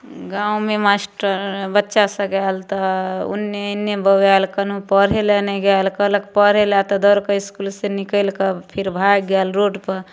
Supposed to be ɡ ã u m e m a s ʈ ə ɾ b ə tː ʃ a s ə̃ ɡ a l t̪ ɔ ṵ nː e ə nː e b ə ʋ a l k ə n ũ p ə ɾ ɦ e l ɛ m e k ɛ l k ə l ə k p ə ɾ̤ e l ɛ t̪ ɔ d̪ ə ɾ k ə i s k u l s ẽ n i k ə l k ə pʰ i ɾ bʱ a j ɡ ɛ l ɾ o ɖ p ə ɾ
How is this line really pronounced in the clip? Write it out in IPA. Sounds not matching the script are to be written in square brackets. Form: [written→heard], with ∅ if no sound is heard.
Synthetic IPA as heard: ɡ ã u m e m a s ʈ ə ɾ b ə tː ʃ a s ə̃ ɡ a l t̪ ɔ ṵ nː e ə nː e b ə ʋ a l k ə n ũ p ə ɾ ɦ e l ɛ [m→n] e [k→ɡ] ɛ l k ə l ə k p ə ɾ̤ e l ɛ t̪ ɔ d̪ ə ɾ k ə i s k u l s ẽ n i k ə l k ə pʰ i ɾ bʱ a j ɡ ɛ l ɾ o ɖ p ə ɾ

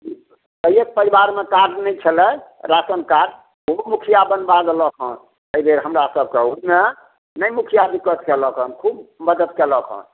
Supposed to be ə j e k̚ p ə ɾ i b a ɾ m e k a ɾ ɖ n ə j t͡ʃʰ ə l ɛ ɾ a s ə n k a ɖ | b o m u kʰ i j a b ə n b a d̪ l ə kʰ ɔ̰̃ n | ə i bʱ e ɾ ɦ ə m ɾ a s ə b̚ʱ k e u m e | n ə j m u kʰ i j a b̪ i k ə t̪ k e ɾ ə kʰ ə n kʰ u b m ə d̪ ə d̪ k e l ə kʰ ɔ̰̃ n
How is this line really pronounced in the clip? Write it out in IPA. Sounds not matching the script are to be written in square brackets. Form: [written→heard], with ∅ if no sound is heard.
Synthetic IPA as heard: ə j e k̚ p ə ɾ i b a ɾ m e k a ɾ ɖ n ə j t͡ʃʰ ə l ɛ ɾ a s ə n k a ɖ | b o m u kʰ i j a b ə n b a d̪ l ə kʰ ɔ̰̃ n | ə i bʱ e ɾ ɦ ə m ɾ a s ə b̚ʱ k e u m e | n ə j m u kʰ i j a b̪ i k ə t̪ k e [ɾ→l] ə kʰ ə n kʰ u b m ə d̪ ə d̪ k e l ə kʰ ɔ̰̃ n

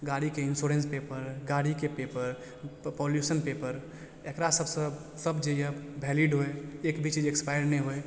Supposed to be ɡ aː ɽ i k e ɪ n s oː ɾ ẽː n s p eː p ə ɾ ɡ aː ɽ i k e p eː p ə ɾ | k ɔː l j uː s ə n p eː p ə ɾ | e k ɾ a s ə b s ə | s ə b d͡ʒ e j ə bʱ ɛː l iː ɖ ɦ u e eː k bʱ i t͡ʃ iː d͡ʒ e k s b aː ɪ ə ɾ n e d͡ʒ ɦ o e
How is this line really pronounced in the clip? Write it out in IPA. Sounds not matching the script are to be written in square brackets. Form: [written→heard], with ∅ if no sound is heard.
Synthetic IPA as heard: ɡ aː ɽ i k e ɪ n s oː ɾ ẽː n s p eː p ə ɾ ɡ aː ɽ i k e p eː p ə ɾ | [k→p] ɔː l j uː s ə n p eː p ə ɾ | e k ɾ a s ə b s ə | s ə b d͡ʒ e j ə bʱ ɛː l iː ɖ ɦ [u→o] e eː k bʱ i t͡ʃ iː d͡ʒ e k s [b→p] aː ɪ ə ɾ n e [d͡ʒ→∅] ɦ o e

